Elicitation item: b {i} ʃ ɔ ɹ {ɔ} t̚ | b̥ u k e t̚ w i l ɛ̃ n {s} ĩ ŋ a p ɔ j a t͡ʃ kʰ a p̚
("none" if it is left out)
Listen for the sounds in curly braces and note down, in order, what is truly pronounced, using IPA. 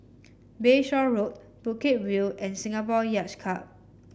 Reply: e, o, s

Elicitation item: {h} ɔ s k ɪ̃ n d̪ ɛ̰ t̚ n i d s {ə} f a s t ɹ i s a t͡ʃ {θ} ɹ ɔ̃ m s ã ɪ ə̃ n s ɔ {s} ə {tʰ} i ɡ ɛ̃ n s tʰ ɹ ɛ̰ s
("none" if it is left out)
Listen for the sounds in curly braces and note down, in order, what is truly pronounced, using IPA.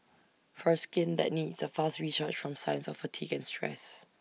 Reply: f, ə, f, f, tʰ

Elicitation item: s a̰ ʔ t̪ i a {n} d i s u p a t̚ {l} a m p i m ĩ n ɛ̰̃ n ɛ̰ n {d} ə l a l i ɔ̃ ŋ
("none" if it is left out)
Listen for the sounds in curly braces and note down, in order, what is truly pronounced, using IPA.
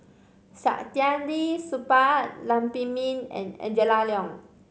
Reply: n, l, d͡ʒ

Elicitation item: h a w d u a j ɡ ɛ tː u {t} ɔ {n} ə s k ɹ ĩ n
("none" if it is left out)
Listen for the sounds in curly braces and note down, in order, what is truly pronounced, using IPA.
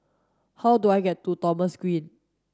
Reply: t, m

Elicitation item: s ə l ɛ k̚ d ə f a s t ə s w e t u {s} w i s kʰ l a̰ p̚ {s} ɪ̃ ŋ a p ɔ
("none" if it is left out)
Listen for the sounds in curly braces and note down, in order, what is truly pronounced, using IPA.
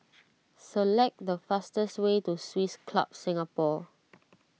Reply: s, s

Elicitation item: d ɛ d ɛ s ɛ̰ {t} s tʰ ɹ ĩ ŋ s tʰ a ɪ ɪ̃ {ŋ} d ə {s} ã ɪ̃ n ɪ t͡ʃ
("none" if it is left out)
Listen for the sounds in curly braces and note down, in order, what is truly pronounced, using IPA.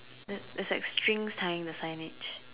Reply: k, ŋ, s

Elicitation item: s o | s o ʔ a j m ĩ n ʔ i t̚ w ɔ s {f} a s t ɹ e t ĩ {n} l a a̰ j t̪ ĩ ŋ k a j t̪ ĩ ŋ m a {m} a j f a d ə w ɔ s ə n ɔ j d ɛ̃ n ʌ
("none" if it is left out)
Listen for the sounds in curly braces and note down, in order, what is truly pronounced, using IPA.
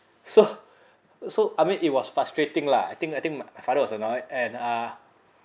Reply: f, ŋ, m

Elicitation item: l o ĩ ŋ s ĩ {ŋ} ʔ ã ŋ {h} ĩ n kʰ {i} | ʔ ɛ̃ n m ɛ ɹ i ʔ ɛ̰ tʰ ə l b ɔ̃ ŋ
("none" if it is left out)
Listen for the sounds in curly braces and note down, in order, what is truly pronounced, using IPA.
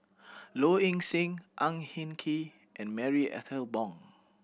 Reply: ŋ, h, i

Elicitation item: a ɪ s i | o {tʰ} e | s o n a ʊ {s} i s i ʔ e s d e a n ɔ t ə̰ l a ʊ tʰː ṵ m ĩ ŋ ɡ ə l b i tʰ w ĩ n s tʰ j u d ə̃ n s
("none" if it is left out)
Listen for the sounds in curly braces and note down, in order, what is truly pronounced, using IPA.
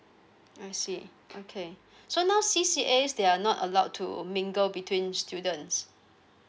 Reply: kʰ, s

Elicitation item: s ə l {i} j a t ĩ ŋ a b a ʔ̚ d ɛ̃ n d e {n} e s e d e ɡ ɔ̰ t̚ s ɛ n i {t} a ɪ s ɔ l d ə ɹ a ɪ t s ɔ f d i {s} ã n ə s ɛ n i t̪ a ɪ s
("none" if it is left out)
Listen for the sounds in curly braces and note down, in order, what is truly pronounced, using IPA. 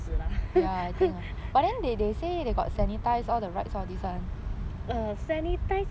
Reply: a, d, t, s

